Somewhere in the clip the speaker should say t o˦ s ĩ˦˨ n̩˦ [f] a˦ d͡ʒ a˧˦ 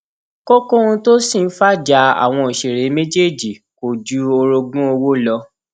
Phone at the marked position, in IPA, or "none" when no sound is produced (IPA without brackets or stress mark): f